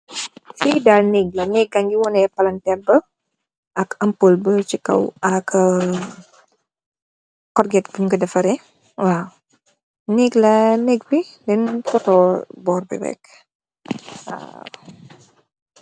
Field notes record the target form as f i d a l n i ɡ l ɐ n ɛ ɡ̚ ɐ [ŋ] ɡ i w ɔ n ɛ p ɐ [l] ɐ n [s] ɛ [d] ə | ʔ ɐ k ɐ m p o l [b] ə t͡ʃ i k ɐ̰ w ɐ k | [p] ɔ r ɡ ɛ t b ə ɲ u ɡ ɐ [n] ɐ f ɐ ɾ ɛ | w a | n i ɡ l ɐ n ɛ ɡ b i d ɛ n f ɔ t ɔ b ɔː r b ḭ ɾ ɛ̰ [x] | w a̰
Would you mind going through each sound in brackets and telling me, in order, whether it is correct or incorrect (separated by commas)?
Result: correct, correct, incorrect, incorrect, correct, incorrect, incorrect, incorrect